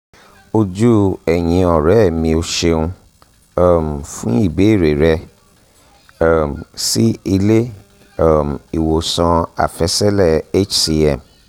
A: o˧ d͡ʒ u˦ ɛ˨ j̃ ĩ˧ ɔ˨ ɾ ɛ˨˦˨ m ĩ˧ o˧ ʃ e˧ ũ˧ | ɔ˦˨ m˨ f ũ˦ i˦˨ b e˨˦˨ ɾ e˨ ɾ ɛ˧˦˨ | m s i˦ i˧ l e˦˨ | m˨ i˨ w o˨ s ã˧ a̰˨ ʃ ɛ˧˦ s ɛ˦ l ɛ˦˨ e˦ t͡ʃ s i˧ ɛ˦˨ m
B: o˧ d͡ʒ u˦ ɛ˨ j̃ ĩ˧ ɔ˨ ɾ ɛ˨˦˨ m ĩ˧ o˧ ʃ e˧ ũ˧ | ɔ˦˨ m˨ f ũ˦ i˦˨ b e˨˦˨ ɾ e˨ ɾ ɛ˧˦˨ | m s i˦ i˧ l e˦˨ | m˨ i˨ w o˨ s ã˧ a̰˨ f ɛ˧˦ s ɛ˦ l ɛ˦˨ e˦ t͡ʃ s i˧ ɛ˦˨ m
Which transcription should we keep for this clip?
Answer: B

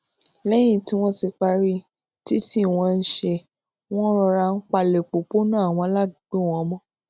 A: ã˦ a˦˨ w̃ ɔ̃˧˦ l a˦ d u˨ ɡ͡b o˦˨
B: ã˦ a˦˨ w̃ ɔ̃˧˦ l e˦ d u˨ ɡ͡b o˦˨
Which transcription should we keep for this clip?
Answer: A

